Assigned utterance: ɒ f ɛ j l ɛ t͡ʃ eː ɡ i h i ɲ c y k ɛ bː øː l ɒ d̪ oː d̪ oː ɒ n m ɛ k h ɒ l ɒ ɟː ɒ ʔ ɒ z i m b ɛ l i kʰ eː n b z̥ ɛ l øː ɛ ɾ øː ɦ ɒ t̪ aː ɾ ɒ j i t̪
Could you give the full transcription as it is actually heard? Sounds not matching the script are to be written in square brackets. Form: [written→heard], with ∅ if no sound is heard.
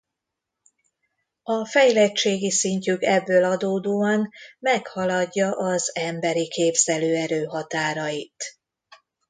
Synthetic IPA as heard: ɒ f ɛ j l ɛ t͡ʃ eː ɡ i [h→s] i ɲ c y k ɛ bː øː l ɒ d̪ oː d̪ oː ɒ n m ɛ k h ɒ l ɒ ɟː ɒ ʔ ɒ z [i→ɛ] m b ɛ [l→ɾ] i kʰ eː [n→∅] b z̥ ɛ l øː ɛ ɾ øː ɦ ɒ t̪ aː ɾ ɒ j i t̪

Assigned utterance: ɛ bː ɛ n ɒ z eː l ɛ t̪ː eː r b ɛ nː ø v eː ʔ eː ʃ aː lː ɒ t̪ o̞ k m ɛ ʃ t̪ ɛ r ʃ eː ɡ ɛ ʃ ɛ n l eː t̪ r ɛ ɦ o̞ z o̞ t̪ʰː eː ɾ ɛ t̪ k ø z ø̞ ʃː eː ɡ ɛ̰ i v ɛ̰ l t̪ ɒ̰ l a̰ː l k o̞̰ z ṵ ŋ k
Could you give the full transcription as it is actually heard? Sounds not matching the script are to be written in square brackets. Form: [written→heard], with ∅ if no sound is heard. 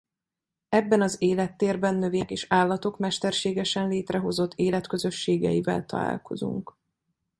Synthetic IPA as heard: ɛ bː ɛ n ɒ z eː l ɛ t̪ː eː r b ɛ nː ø v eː [ʔ→k] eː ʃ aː lː ɒ t̪ o̞ k m ɛ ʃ t̪ ɛ r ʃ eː ɡ ɛ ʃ ɛ n l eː t̪ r ɛ ɦ o̞ z o̞ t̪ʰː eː [ɾ→l] ɛ t̪ k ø z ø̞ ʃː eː ɡ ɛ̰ i v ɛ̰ l t̪ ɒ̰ l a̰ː l k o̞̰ z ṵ ŋ k

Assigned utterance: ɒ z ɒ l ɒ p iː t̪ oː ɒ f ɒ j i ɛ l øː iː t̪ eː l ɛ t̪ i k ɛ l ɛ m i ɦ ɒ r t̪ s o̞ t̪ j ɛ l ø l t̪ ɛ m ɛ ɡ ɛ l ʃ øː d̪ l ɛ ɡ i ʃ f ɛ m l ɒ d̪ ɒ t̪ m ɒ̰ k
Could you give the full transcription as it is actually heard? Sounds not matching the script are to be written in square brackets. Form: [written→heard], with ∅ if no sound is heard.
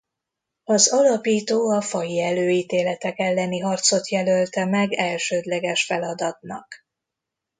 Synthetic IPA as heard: ɒ z ɒ l ɒ p iː t̪ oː ɒ f ɒ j i ɛ l øː iː t̪ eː l ɛ t̪ [i→ɛ] k ɛ [l→lː] ɛ [m→n] i ɦ ɒ r t̪ s o̞ t̪ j ɛ l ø l t̪ ɛ m ɛ ɡ ɛ l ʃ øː d̪ l ɛ ɡ [i→ɛ] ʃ f ɛ [m→∅] l ɒ d̪ ɒ t̪ [m→n] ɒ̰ k

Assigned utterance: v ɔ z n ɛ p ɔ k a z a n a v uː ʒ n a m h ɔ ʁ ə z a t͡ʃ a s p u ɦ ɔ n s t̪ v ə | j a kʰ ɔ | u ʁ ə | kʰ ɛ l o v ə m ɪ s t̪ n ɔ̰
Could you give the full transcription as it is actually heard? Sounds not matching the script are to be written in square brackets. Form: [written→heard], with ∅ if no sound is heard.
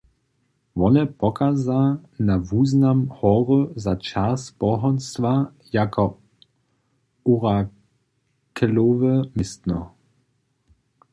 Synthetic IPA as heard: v ɔ [z→∅] n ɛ p ɔ k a z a n a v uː [ʒ→z] n a m h ɔ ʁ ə z a t͡ʃ a s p [u→ɔ] ɦ ɔ n s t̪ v [ə→a] | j a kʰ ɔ | u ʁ [ə→a] | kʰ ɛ l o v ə m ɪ s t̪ n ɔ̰

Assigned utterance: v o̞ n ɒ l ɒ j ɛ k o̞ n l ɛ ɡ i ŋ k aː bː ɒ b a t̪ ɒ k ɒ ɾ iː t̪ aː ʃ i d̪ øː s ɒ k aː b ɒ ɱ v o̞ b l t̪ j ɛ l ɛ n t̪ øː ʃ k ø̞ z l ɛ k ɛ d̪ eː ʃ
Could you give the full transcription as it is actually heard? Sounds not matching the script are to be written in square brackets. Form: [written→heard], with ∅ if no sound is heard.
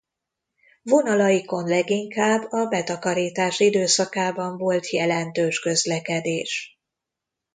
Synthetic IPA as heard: v o̞ n ɒ l ɒ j [ɛ→i] k o̞ n l ɛ ɡ i ŋ k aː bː ɒ b [a→ɛ] t̪ ɒ k ɒ ɾ iː t̪ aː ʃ i d̪ øː s ɒ k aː b ɒ ɱ v o̞ [b→∅] l t̪ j ɛ l ɛ n t̪ øː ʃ k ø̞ z l ɛ k ɛ d̪ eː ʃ

